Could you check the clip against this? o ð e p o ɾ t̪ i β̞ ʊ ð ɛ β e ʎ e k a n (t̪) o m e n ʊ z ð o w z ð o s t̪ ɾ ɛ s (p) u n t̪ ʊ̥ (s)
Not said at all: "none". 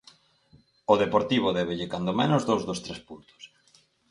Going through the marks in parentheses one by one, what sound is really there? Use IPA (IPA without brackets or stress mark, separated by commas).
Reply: d̪, p, s